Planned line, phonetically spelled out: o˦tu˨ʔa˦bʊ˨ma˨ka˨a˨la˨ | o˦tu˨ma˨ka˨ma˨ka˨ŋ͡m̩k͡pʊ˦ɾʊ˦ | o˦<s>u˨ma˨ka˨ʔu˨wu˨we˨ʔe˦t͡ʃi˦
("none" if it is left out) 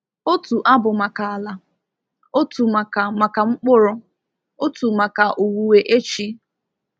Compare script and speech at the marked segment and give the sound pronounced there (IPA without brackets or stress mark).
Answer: t